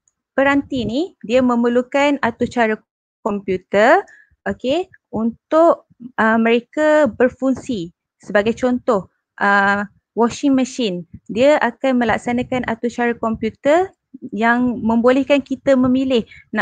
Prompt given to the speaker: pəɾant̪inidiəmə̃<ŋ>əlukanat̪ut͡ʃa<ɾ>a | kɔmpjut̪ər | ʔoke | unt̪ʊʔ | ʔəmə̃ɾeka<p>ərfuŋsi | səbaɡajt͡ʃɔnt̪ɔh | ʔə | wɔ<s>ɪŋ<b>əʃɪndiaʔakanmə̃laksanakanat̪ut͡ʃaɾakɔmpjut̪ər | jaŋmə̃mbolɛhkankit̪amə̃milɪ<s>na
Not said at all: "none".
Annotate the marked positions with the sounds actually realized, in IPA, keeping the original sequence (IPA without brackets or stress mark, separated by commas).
m, ɾ, b, ʃ, m, h